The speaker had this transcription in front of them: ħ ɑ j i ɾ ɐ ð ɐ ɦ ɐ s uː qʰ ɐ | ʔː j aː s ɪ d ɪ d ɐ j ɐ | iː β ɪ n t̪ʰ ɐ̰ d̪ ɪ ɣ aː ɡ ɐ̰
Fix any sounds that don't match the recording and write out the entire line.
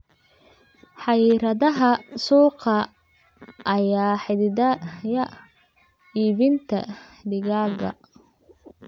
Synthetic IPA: ħ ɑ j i ɾ ɐ ð ɐ ɦ ɐ s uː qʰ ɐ | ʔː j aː ħ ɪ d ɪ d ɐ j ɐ | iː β ɪ n t̪ʰ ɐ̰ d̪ ɪ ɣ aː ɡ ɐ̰